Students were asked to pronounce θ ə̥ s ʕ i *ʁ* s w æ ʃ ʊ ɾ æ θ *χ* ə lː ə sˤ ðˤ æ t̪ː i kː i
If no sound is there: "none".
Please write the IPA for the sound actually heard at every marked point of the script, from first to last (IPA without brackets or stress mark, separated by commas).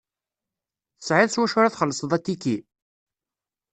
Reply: ð, χ